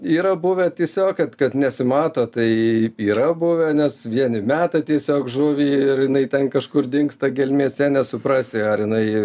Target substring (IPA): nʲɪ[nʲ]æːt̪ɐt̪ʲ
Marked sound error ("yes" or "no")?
yes